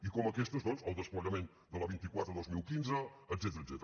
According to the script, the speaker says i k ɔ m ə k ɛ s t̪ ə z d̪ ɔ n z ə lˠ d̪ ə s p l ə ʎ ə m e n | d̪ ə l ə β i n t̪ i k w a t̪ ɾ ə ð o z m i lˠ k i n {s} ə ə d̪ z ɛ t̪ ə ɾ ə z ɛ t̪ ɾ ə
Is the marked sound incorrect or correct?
incorrect